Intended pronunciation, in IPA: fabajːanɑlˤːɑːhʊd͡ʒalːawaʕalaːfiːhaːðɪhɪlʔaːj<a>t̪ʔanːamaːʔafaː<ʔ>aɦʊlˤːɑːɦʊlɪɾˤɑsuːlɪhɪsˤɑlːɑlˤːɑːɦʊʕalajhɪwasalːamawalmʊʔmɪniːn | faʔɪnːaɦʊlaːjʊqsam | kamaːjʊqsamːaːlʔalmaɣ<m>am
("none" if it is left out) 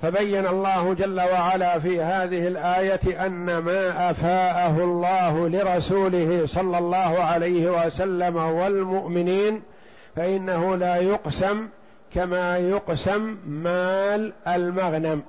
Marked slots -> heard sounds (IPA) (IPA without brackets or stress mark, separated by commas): a, ʔ, n